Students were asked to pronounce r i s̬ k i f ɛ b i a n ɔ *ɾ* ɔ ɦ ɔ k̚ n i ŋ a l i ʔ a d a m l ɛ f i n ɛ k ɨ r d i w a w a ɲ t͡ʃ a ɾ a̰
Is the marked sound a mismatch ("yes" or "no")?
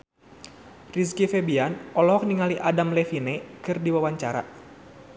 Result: yes